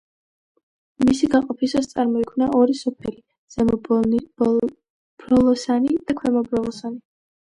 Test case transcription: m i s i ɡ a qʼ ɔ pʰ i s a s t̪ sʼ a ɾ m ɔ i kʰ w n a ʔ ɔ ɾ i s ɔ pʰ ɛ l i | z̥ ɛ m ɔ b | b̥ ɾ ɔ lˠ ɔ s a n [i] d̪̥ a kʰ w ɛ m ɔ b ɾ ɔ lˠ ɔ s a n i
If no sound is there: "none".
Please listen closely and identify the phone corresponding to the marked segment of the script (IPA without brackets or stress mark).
i